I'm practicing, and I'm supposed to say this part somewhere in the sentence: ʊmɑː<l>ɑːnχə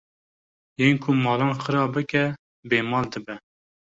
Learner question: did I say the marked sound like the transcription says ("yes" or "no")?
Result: yes